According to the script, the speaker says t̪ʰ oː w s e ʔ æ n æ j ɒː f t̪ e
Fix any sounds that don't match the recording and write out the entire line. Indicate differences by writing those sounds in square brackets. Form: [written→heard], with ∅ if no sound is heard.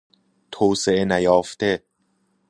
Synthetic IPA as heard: t̪ʰ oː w s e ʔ [æ→e] n æ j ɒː f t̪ e